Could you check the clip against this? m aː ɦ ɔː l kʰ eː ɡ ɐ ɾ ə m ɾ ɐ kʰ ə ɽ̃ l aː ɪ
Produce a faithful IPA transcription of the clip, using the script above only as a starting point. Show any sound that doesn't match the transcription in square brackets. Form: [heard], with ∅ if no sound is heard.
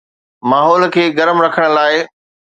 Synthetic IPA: m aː ɦ ɔː l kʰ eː ɡ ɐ ɾ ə m ɾ ɐ kʰ ə ɽ̃ l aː ɪ

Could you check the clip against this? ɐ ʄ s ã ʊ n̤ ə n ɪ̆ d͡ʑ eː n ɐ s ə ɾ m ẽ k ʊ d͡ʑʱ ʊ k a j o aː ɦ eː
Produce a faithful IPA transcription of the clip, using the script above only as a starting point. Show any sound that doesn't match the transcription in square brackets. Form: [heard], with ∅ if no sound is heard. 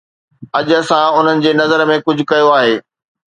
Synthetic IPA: ɐ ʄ s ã ʊ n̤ ə n ɪ̆ d͡ʑ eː n ɐ [z] ə ɾ m ẽ k ʊ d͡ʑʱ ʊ k [ɐ] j o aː ɦ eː

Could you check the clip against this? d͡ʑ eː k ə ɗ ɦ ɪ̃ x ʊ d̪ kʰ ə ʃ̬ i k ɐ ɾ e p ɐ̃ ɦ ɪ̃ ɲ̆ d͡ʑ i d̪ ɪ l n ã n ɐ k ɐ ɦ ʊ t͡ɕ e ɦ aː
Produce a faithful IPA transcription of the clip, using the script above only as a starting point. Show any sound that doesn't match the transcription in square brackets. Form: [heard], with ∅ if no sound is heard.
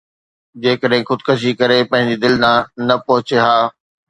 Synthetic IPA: d͡ʑ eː k ə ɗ ɦ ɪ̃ x ʊ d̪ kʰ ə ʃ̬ i k ɐ ɾ e p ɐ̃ ɦ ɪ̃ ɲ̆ d͡ʑ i d̪ ɪ l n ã n ɐ [p] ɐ ɦ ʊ t͡ɕ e ɦ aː

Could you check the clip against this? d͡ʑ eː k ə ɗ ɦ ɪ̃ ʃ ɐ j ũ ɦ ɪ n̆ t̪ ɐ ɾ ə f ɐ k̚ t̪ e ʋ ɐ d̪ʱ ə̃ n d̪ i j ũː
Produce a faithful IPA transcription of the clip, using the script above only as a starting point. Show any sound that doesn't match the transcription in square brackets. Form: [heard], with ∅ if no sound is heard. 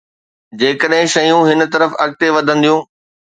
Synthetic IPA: d͡ʑ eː k ə ɗ ɦ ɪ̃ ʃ ɐ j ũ ɦ ɪ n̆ t̪ ɐ ɾ ə f ɐ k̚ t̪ e ʋ ɐ d̪ʱ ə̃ n d̪ i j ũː

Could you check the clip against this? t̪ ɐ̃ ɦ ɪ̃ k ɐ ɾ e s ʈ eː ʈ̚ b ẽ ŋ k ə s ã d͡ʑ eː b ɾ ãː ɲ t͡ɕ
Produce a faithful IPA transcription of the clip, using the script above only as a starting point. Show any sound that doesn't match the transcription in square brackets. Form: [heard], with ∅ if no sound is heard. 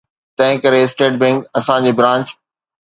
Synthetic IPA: t̪ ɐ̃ ɦ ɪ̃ k ɐ ɾ e s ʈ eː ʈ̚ b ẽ ŋ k [ɐ] s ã d͡ʑ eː b ɾ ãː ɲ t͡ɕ

